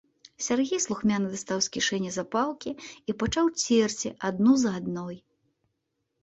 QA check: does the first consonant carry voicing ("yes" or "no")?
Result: no